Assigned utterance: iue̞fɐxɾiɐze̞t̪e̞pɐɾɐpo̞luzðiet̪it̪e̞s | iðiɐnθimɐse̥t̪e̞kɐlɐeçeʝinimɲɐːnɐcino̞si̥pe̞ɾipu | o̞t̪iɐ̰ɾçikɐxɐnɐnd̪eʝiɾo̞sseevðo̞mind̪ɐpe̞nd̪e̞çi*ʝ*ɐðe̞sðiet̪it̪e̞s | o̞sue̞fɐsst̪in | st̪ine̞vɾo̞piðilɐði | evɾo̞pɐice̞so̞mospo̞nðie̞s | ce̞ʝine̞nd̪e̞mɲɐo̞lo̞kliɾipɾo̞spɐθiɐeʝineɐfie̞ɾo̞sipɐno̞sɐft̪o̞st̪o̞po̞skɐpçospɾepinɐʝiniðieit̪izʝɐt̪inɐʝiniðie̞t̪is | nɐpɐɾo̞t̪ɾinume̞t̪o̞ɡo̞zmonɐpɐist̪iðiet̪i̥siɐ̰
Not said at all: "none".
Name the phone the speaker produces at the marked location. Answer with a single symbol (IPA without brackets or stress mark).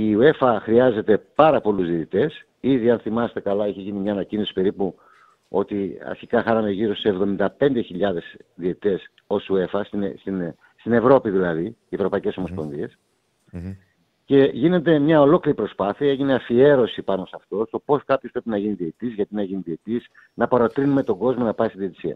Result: ʎ